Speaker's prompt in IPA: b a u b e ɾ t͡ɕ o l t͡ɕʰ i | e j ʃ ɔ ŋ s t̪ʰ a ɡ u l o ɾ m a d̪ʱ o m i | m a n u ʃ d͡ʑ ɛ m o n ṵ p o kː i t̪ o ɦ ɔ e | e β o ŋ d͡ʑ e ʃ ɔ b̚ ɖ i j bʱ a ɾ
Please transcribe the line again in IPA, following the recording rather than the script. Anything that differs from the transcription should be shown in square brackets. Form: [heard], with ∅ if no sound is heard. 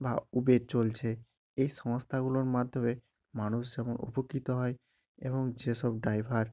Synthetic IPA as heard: b a u b e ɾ t͡ɕ o l t͡ɕʰ [e] | e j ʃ ɔ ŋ s t̪ʰ a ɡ u l o ɾ m a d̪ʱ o m [e] | m a n u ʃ d͡ʑ ɛ m o n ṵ p o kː i t̪ o ɦ ɔ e | e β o ŋ d͡ʑ e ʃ ɔ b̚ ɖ [a] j bʱ a ɾ

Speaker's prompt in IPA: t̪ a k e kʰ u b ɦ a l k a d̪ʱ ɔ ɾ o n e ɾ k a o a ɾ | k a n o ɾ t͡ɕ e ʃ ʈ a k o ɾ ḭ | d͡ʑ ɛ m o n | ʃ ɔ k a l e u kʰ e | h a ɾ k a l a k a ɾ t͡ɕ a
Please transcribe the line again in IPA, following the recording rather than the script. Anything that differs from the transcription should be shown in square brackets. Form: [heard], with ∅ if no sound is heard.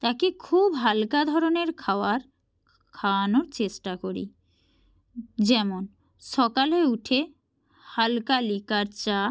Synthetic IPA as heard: t̪ a k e kʰ u b ɦ a l k a d̪ʱ ɔ ɾ o n e ɾ [kʰ] a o a ɾ | [kʰ] a n o ɾ t͡ɕ e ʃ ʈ a k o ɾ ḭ | d͡ʑ ɛ m o n | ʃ ɔ k a l e u [ʈʰ] e | h a [l] k a l [i] k a ɾ t͡ɕ a

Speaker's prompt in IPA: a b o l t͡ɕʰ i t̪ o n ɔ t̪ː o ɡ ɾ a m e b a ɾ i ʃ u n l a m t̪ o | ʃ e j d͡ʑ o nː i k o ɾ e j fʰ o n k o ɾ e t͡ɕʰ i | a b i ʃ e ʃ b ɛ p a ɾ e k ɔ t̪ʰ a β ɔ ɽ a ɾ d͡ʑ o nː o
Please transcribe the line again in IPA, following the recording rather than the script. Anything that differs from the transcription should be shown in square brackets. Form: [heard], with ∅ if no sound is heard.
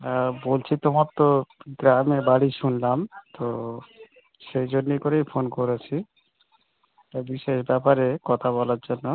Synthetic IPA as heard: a b o l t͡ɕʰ i t̪ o [m] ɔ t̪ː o ɡ ɾ a m e b a [ɽ] i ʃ u n l a m t̪ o | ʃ e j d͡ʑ o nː i k o ɾ e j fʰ o n k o ɾ e t͡ɕʰ i | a b i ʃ e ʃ b ɛ p a ɾ e k ɔ t̪ʰ a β ɔ [l] a ɾ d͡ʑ o nː o

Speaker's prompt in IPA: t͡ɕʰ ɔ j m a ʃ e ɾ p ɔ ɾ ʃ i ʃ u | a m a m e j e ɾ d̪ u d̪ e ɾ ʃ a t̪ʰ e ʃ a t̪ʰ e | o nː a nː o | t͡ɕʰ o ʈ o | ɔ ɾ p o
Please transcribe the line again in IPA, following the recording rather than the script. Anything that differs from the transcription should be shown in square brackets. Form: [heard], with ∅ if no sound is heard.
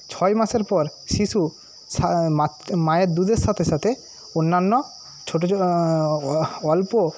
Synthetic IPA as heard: t͡ɕʰ ɔ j m a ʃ e ɾ p ɔ ɾ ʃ i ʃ u | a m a m [a] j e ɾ d̪ u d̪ e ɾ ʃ a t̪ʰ e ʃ a t̪ʰ e | o nː a nː o | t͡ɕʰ o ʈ o | ɔ [l] p o

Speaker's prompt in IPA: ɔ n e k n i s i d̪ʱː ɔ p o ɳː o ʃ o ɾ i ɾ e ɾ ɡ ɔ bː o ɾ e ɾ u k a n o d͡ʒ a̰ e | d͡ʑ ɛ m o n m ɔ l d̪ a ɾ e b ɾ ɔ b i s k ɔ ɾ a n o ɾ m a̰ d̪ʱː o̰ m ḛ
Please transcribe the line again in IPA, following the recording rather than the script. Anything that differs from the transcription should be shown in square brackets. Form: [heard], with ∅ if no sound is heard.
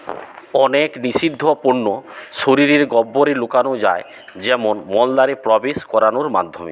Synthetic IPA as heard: ɔ n e k n i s i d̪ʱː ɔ p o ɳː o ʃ o ɾ i ɾ e ɾ ɡ ɔ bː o ɾ e [l] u k a n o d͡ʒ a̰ e | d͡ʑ ɛ m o n m ɔ l d̪ a ɾ e [p] ɾ ɔ b [e] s k ɔ ɾ a n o ɾ m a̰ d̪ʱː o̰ m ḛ

